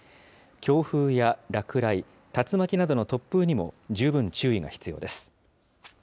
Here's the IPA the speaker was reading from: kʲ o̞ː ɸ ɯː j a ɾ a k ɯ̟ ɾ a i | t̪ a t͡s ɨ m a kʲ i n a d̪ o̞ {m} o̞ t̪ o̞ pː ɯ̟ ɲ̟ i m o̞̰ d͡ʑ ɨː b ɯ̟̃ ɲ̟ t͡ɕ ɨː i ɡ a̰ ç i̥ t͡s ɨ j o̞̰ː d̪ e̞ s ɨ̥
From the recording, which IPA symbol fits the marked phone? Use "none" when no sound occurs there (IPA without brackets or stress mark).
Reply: n